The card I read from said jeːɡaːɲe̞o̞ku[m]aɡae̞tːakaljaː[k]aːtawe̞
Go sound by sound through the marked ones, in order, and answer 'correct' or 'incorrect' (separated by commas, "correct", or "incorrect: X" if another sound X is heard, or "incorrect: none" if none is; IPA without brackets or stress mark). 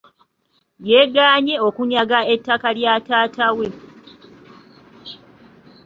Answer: incorrect: ɲ, incorrect: t